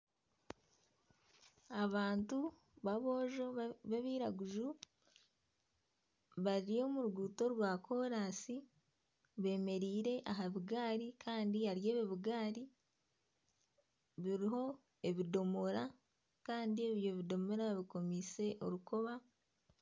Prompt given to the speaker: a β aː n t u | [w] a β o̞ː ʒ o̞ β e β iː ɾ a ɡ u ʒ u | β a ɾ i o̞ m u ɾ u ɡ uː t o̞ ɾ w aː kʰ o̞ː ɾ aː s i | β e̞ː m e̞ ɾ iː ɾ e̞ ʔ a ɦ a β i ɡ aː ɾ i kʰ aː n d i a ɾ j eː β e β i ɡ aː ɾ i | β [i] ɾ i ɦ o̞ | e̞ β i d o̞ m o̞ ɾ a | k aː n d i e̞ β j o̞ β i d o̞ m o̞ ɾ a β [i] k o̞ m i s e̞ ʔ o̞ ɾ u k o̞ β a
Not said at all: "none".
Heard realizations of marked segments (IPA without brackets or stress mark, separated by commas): β, i, i